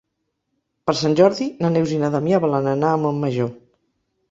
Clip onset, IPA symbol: p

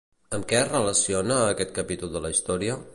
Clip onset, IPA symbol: ə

